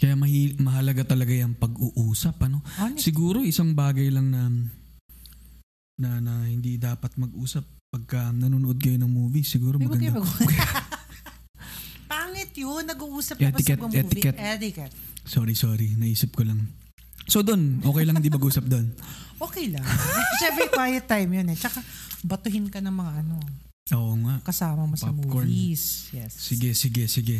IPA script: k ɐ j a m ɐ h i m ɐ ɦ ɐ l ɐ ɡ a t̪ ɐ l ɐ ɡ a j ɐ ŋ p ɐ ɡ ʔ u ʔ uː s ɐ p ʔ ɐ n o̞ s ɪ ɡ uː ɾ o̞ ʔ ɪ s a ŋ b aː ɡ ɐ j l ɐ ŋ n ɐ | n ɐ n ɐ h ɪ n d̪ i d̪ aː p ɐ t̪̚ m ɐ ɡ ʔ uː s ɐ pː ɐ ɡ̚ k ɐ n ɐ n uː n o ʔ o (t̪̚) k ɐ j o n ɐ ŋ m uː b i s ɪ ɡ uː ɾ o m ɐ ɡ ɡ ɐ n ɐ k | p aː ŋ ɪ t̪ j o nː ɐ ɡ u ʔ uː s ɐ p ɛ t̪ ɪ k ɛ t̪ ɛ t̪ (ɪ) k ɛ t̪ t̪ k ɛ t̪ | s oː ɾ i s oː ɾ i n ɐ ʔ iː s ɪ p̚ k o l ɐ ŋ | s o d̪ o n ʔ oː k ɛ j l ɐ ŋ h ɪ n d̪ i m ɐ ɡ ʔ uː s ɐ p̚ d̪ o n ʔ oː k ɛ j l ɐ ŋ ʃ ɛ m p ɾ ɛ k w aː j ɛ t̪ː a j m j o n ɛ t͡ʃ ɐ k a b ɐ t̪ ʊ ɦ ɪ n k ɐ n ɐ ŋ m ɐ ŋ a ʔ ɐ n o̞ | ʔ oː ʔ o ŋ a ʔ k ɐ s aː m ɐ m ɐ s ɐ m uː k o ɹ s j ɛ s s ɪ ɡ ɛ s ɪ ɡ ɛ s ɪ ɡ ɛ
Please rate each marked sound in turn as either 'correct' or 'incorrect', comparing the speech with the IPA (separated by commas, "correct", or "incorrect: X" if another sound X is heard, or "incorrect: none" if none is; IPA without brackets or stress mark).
incorrect: d̪̚, correct